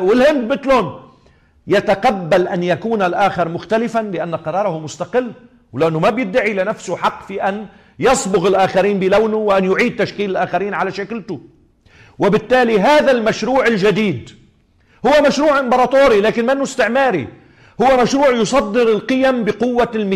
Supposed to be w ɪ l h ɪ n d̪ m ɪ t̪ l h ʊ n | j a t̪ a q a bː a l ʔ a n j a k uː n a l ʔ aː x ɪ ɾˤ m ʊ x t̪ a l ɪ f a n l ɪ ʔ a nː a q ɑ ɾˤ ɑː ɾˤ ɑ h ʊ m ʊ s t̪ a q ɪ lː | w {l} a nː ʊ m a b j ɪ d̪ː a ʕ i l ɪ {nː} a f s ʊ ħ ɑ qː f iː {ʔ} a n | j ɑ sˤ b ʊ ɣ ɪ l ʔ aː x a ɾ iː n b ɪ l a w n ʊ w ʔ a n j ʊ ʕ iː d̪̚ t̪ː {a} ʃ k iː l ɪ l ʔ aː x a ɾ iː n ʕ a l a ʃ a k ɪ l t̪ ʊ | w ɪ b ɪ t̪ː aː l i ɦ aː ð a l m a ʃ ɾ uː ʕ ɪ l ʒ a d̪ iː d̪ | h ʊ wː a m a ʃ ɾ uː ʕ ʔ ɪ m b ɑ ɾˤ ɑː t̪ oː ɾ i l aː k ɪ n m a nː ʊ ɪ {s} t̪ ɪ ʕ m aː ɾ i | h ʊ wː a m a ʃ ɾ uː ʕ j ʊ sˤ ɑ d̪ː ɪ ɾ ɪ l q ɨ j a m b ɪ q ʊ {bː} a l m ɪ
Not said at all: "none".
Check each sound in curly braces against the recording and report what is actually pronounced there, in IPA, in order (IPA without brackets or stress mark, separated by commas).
l, n, ʔ, a, s, wː